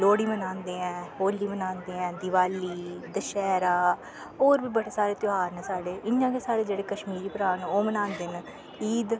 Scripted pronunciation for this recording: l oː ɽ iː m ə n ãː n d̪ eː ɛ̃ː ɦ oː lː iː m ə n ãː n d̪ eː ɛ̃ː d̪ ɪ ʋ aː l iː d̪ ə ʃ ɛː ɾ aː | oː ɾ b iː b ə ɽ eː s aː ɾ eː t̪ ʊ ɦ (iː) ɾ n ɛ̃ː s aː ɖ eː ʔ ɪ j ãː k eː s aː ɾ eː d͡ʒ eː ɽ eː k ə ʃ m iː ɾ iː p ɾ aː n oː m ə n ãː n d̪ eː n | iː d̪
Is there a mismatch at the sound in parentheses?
yes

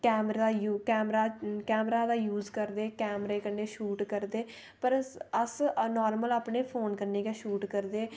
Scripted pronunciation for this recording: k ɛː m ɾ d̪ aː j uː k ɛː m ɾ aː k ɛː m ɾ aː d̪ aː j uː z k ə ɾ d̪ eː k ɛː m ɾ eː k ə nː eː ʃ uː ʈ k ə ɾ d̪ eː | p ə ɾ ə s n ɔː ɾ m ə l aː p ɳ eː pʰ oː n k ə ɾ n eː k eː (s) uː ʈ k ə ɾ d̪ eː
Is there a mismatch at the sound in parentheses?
yes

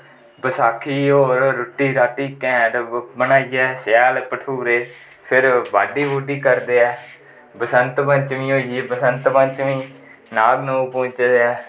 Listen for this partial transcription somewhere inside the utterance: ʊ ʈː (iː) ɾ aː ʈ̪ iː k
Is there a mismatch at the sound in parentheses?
no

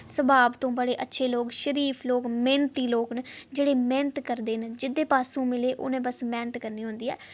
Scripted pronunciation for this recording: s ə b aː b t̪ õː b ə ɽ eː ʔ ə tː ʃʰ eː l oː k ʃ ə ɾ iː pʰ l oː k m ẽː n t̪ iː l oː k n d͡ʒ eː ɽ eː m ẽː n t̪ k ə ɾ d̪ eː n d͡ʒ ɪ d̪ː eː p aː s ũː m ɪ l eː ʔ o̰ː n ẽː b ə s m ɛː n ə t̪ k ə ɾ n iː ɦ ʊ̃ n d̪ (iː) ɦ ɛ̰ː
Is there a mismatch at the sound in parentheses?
no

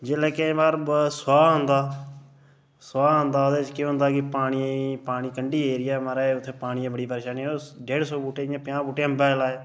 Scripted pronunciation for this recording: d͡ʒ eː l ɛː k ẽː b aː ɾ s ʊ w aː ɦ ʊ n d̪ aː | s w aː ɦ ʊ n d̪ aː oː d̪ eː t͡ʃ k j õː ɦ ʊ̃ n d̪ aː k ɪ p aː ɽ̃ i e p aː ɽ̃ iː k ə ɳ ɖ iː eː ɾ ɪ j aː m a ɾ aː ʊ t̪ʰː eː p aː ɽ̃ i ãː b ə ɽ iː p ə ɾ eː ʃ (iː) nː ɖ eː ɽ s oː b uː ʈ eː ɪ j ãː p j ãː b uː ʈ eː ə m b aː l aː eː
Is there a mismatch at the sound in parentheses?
yes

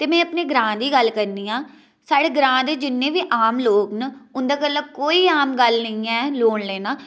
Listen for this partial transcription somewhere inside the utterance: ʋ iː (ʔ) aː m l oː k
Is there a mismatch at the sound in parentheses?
no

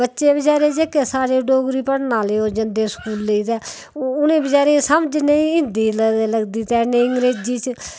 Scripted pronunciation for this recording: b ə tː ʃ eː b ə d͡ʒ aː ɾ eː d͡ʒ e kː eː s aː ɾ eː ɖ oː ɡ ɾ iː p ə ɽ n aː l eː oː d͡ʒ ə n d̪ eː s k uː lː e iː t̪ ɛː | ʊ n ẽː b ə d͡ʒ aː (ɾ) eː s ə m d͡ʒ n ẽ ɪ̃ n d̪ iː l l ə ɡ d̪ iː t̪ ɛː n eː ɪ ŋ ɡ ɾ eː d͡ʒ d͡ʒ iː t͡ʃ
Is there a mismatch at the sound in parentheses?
no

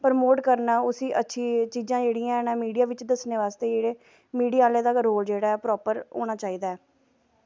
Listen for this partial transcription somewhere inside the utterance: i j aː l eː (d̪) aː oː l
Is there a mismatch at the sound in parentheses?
no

